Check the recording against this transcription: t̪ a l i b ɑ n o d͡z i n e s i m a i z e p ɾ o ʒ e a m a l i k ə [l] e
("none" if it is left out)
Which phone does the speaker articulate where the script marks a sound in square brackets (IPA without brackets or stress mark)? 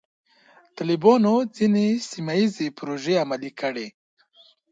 ɽ